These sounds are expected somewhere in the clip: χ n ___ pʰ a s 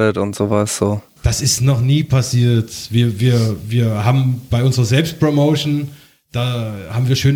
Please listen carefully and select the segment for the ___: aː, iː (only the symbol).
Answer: iː